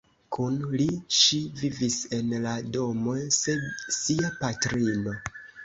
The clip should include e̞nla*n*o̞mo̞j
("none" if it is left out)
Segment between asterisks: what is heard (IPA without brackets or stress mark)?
d